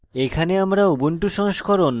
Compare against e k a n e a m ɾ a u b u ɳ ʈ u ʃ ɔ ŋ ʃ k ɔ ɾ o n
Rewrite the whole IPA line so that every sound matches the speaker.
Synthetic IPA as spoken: e kʰ a n e a m ɾ a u b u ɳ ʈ u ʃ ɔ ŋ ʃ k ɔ ɾ o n

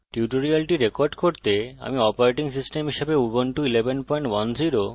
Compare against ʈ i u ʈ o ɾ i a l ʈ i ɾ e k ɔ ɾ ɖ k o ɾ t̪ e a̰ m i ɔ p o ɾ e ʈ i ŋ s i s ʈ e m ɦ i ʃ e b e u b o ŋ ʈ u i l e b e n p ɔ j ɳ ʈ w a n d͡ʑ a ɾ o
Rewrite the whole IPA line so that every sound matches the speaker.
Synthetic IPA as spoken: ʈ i u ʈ o ɾ i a l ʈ i ɾ e k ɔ ɾ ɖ k o ɾ t̪ e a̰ m i ɔ p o ɾ e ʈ i ŋ s i s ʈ e m ɦ i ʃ e b e u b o n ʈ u i l e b e n p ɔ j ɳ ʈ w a n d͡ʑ i ɾ o

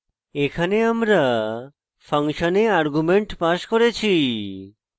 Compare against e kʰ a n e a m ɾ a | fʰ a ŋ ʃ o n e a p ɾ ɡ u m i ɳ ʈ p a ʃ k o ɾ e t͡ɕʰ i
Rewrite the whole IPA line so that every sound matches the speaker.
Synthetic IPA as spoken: e kʰ a n e a m ɾ a | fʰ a ŋ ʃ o n e a ɾ ɡ u m e ɳ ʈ p a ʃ k o ɾ e t͡ɕʰ i

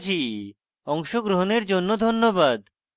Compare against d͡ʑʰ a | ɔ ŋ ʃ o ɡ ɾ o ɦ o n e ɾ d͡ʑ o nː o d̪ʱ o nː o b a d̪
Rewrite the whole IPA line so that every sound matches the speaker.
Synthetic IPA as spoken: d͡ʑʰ i | ɔ ŋ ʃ o ɡ ɾ o ɦ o n e ɾ d͡ʑ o nː o d̪ʱ o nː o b a d̪

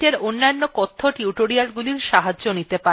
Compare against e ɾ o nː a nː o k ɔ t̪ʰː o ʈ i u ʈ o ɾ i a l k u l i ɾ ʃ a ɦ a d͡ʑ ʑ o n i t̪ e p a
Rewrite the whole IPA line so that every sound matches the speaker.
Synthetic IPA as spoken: e ɾ o nː a nː o k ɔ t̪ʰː o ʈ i u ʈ o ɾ i a l ɡ u l i ɾ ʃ a ɦ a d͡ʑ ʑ o n i t̪ e p a

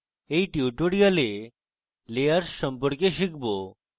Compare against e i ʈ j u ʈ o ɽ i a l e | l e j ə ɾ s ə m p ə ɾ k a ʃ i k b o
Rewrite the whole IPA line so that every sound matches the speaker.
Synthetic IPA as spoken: e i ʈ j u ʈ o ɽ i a l e | l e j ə ɾ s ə m p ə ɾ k e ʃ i k b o

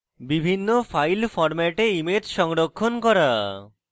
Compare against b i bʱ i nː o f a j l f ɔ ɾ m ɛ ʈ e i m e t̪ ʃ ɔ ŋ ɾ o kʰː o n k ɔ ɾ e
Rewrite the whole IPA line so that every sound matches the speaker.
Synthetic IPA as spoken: b i bʱ i nː o f a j l f ɔ ɾ m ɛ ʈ e i m e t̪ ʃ ɔ ŋ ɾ o kʰː o n k ɔ ɾ a

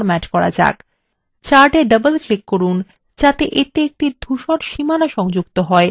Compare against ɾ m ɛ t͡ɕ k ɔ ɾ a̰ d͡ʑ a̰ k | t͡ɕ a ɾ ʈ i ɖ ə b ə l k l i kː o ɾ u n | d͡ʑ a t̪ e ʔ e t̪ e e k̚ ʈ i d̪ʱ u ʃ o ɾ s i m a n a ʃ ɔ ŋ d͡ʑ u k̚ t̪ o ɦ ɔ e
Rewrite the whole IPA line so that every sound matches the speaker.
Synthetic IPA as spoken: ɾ m ɛ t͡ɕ k ɔ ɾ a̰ d͡ʑ a̰ k | t͡ɕ a ɾ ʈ e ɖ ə b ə l k l i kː o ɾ u n | d͡ʑ a t̪ e ʔ e t̪ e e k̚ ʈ i d̪ʱ u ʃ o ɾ ʃ i m a n a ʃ ɔ ŋ d͡ʑ u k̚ t̪ o ɦ ɔ e

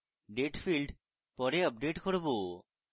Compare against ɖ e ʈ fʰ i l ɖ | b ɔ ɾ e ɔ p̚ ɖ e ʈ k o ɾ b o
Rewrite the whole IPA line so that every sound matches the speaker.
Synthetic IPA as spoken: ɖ e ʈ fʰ i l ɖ | p ɔ ɾ e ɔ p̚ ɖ e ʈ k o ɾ b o

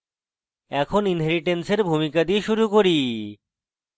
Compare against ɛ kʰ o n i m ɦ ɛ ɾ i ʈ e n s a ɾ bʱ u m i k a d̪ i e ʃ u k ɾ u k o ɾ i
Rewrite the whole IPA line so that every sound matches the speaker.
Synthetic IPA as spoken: ɛ kʰ o n i n ɦ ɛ ɾ i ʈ e n s e ɾ bʱ u m i k a d̪ i e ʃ u ɾ u k o ɾ i

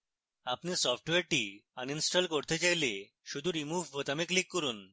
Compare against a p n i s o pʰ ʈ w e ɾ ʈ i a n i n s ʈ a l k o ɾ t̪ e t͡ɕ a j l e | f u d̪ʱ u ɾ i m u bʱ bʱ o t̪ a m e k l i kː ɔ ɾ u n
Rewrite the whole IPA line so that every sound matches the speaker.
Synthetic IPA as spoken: a p n i s ɔ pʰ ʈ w e ɾ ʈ i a n i n s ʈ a l k o ɾ t̪ e t͡ɕ a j l e | ʃ u d̪ʱ u ɾ i m u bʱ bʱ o t̪ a m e k l i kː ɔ ɾ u n

